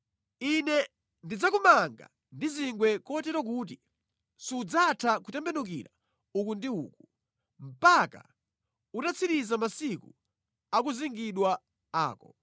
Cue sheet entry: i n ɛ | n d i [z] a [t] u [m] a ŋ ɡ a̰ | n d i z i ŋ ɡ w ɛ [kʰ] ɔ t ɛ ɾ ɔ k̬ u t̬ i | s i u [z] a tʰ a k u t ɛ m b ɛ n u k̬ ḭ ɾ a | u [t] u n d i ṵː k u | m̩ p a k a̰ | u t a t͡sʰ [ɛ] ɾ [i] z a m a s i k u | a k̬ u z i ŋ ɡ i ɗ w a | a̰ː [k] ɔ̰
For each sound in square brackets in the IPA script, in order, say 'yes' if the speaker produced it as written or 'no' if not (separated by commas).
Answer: no, no, yes, no, no, no, no, yes, yes